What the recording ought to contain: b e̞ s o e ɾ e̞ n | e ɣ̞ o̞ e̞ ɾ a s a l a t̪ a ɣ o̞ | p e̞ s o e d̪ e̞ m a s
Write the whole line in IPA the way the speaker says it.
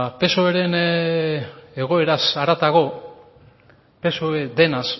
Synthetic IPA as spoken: p e̞ s o e ɾ e̞ n | e ɣ̞ o̞ e̞ ɾ a s a ɾ a t̪ a ɣ o̞ | p e̞ s o e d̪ e̞ n a s

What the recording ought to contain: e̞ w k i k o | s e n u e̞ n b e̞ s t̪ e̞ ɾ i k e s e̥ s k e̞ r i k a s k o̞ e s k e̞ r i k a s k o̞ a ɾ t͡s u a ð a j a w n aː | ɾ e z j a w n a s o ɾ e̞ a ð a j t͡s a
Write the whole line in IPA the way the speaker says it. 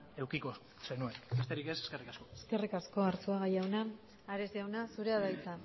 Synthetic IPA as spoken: e̞ w k i k o | s e n u e̞ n b e̞ s t̪ e̞ ɾ i k e s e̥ s k e̞ r i k a s k o̞ e s k e̞ r i k a s k o̞ a ɾ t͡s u a ɣ a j a w n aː | ɾ e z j a w n a s u ɾ e̞ a ð a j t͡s a

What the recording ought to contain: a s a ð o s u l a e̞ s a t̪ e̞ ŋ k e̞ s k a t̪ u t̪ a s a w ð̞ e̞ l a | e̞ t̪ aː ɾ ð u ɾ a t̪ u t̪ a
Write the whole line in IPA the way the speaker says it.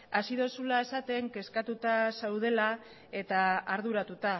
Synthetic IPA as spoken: a s i ð o s u l a e̞ s a t̪ e̞ ŋ k e̞ s k a t̪ u t̪ a s a w ð̞ e̞ l a | e̞ t̪ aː ɾ ð u ɾ a t̪ u t̪ a

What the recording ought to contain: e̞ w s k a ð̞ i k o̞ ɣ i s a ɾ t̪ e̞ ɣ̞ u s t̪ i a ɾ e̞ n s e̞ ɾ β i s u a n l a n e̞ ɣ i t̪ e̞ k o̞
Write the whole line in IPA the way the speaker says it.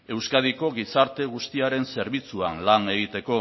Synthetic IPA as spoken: e̞ w s k a ð̞ i k o̞ ɣ i s a ɾ t̪ e̞ ɣ̞ u s t̪ i a ɾ e̞ n s e̞ ɾ β i t͡s u a n l a n e̞ ɣ i t̪ e̞ k o̞

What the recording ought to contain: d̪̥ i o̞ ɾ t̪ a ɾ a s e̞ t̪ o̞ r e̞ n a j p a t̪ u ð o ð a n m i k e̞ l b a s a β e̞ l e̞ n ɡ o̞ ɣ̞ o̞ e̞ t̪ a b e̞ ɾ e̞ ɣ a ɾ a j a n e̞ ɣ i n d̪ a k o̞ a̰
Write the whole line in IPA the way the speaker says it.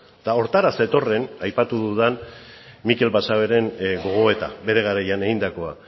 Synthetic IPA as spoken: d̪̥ a o̞ ɾ t̪ a ɾ a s e̞ t̪ o̞ r e̞ n a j p a t̪ u ð u ð a n m i k e̞ l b a s a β e̞ ɾ e̞ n ɡ o̞ ɣ̞ o̞ e̞ t̪ a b e̞ ɾ e̞ ɣ a ɾ a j a n e̞ ɣ i n d̪ a k o̞ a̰

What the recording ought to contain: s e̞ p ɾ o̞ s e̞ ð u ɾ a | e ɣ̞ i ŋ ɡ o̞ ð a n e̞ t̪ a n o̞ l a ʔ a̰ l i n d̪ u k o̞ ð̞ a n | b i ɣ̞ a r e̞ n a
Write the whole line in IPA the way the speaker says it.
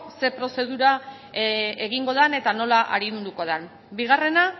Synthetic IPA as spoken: s e̞ p ɾ o̞ s e̞ ð u ɾ a | e ɣ̞ i ŋ ɡ o̞ ð a n e̞ t̪ a n o̞ l a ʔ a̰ ɾ i n d̪ u k o̞ ð̞ a n | b i ɣ̞ a r e̞ n a

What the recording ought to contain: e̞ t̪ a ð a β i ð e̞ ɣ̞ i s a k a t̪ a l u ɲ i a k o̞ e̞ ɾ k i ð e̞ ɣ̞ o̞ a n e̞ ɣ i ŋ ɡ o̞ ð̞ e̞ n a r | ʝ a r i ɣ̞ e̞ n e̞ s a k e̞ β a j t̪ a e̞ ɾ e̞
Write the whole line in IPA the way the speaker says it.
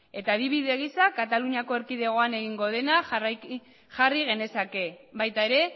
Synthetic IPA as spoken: e̞ t̪ a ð i β i ð e̞ ɣ̞ i s a k a t̪ a l u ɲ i a k o̞ e̞ ɾ k i ð e̞ ɣ̞ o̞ a n e̞ ɣ i ŋ ɡ o̞ ð̞ e̞ n a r | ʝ a r i ɣ̞ e̞ n e̞ s a k e̞ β a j t̪ a e̞ ɾ e̞

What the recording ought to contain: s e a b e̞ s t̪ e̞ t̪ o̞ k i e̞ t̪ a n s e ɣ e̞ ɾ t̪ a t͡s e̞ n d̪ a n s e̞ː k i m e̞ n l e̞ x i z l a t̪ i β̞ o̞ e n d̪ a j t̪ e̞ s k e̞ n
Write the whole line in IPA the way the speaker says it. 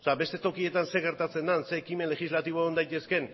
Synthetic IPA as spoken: s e a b e̞ s t̪ e̞ t̪ o̞ k i e̞ t̪ a n s e ɣ e̞ ɾ t̪ a t͡s e̞ n d̪ a n s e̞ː k i m e̞ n l e̞ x i z l a t̪ i β̞ o̞ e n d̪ a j t̪ e̞ s k e̞ n

